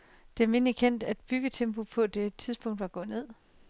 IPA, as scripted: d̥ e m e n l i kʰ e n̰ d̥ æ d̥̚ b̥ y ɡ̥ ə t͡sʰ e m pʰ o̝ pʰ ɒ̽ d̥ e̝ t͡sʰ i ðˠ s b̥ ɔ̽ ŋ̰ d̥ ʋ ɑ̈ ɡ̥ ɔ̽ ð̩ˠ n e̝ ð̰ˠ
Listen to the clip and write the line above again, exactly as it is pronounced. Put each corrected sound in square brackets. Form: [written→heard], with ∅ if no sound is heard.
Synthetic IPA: d̥ e m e n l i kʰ e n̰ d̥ æ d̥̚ b̥ y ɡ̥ ə t͡sʰ e m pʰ o̝ pʰ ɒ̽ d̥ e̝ t͡sʰ i ðˠ s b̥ ɔ̽ ŋ̰ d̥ ʋ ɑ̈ ɡ̥ ɔ̽ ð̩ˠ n e̝ ð̰ˠ